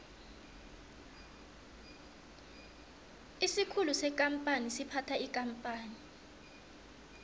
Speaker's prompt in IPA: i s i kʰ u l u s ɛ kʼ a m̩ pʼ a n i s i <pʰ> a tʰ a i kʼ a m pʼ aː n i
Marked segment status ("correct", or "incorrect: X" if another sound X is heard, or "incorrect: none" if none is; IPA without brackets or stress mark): correct